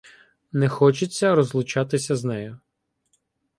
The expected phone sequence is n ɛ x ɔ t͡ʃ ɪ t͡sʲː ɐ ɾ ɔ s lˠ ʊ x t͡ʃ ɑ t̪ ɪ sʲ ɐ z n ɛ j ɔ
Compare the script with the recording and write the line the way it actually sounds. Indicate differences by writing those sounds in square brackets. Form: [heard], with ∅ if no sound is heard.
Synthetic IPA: n ɛ x ɔ t͡ʃ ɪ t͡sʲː ɐ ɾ ɔ [z] lˠ ʊ [∅] t͡ʃ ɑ t̪ ɪ sʲ ɐ z n ɛ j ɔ